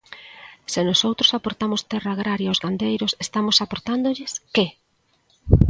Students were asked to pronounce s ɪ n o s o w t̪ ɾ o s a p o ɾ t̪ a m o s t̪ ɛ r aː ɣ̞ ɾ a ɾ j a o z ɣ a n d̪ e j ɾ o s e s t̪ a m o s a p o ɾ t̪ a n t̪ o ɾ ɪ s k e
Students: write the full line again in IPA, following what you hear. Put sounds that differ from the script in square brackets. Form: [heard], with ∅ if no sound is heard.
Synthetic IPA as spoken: s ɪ n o s o w t̪ ɾ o s a p o ɾ t̪ a m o s t̪ ɛ r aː ɣ̞ ɾ a ɾ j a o z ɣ a n d̪ e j ɾ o s e s t̪ a m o s a p o ɾ t̪ a n [d̪] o [ʎ] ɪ s k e